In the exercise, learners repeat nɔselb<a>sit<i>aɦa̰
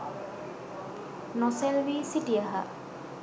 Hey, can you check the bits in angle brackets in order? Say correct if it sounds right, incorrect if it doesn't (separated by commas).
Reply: incorrect, correct